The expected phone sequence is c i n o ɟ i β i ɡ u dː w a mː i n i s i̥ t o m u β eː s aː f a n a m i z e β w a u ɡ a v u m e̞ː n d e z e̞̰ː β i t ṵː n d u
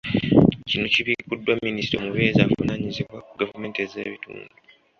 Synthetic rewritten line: c i n o c i β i k u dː w a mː i n i s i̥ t o m u β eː z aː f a n a ɲ i z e β w a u ɡ a v u m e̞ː n t e z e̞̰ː β i t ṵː n d u